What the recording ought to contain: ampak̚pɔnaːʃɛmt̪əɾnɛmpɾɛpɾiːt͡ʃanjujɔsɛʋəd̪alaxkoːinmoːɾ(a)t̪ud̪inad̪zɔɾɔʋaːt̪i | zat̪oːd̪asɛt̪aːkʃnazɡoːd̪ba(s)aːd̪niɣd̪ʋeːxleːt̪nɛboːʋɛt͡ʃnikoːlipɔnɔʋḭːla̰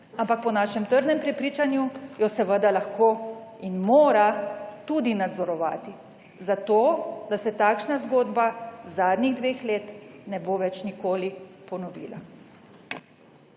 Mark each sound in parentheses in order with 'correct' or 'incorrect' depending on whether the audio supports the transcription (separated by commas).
correct, incorrect